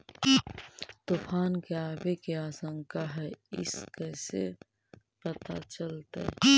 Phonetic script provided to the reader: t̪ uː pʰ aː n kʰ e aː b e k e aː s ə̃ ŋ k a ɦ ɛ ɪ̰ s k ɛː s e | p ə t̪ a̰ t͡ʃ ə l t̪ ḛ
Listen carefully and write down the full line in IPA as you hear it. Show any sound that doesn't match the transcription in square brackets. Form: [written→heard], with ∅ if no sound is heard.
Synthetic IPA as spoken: t̪ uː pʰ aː n [kʰ→k] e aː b e k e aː s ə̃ ŋ k a ɦ ɛ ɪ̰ s k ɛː s e | p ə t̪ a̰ t͡ʃ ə l t̪ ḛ